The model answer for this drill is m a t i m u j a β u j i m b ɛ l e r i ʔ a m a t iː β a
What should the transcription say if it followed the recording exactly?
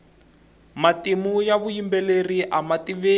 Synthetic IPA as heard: m a t i m u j a β u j i m b ɛ l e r i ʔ a m a t i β e